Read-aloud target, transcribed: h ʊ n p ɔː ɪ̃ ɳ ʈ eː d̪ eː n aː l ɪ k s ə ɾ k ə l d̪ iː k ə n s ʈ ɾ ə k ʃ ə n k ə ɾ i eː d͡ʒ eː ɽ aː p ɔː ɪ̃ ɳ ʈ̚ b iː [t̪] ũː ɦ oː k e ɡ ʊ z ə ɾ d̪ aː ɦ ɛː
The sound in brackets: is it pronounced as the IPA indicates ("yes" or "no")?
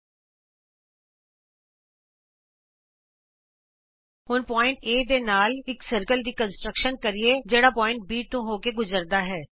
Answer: yes